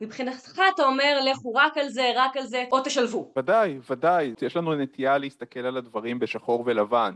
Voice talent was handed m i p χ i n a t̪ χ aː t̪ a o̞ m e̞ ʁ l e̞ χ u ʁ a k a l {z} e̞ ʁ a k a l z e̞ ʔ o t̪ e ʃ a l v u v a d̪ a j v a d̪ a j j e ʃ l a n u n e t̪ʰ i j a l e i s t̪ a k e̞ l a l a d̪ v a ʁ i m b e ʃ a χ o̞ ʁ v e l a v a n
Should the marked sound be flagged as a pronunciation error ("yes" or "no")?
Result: no